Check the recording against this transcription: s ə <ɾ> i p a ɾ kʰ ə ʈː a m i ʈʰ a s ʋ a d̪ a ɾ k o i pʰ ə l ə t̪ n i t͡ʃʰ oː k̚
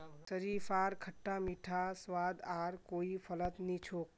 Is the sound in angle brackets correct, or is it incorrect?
correct